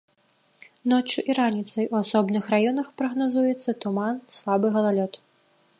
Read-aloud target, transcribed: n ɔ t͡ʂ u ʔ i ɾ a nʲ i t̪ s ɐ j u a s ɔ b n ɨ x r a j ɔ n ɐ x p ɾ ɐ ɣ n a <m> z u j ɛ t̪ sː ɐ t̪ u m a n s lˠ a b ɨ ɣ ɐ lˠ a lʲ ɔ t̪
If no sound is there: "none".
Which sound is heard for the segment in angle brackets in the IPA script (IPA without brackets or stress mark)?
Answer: none